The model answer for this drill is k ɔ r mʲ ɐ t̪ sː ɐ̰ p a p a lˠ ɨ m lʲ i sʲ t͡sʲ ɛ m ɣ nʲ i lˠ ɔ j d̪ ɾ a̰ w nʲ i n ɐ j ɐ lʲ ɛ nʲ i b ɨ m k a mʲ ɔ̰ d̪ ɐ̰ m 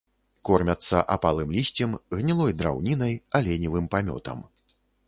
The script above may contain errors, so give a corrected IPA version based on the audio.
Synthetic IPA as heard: k ɔ r mʲ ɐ t̪ sː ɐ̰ ʔ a p a lˠ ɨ m lʲ i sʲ t͡sʲ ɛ m ɣ nʲ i lˠ ɔ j d̪ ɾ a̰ w nʲ i n ɐ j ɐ lʲ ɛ nʲ i v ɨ m p a mʲ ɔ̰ t̪ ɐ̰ m